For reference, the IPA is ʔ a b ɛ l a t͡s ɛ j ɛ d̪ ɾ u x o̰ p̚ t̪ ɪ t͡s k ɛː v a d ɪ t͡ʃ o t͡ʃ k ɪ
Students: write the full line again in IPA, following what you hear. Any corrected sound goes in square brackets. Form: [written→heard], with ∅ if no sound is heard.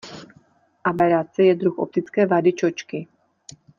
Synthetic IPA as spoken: ʔ a b ɛ [l→ɾ] a t͡s ɛ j ɛ d̪ ɾ u x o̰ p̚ t̪ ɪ t͡s k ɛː v a d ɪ t͡ʃ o t͡ʃ k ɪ